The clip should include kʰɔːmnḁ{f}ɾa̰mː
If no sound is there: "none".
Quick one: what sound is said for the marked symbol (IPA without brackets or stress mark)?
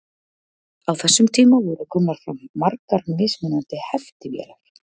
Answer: f